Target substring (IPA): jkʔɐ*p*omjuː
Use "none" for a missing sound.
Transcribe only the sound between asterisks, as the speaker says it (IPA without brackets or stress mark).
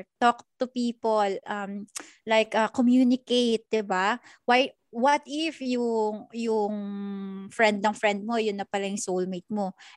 k